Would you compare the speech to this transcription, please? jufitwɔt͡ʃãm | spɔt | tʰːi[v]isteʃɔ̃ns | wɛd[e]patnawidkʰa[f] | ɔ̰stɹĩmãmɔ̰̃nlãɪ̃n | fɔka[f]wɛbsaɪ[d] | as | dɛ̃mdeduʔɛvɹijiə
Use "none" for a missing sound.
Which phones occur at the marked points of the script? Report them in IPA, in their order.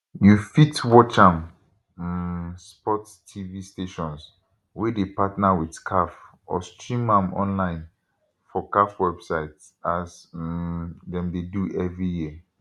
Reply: v, e, f, f, t

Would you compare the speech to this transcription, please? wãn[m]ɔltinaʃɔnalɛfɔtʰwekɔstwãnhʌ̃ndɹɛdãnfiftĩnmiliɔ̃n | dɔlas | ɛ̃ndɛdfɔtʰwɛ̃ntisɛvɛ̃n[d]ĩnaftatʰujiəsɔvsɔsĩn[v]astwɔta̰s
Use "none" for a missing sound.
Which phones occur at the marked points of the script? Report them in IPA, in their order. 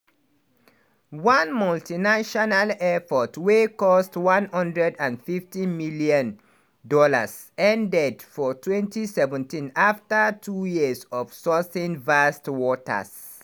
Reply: m, t, v

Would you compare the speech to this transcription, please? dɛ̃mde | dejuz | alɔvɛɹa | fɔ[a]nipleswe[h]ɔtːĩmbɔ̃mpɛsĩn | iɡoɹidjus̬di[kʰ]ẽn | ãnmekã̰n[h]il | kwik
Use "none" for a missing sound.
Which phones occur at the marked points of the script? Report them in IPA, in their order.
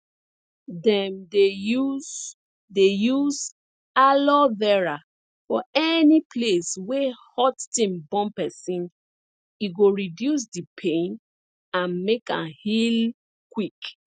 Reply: ɛ, h, pʰ, h

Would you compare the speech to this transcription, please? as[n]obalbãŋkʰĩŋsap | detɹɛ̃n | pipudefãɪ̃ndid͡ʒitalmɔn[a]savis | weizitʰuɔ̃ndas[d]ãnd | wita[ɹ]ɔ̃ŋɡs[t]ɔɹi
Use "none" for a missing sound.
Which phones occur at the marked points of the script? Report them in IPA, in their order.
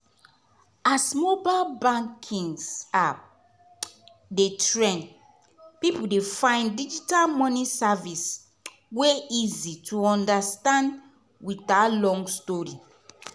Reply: m, i, t, l, t

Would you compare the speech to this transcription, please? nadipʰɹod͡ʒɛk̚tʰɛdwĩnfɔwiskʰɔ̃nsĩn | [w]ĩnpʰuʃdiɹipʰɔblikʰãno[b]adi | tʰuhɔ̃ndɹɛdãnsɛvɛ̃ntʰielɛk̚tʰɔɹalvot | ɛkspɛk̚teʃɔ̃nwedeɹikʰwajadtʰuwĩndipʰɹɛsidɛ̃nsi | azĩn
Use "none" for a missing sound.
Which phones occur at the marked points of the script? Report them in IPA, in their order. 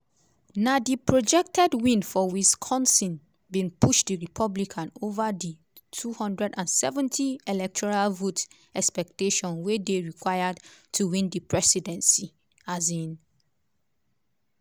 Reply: b, v

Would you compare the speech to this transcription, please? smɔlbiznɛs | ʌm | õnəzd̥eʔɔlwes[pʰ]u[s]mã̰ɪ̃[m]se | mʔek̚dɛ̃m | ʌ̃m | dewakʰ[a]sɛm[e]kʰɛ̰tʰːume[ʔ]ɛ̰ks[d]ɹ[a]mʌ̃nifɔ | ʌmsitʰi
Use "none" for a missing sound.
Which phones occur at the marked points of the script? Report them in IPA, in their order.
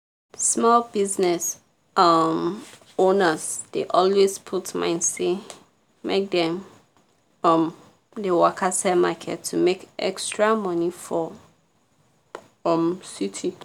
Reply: pʰ, t, n, a, a, k, t, a

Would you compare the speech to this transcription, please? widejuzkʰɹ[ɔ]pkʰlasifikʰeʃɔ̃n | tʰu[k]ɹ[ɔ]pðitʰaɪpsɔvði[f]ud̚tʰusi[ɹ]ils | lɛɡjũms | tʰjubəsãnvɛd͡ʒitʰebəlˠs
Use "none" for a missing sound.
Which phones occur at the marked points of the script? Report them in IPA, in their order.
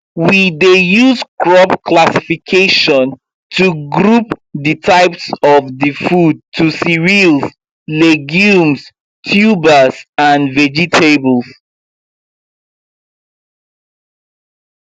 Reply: ɔ, ɡ, u, f, ɹ

